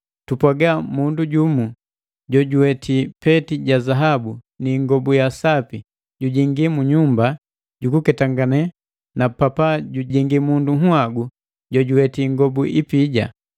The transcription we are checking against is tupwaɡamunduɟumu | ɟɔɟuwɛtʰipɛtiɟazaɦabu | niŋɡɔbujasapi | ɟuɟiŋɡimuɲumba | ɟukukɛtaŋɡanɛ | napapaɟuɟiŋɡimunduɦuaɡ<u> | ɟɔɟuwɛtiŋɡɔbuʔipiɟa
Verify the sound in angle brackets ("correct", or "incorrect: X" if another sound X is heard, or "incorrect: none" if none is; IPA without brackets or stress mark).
correct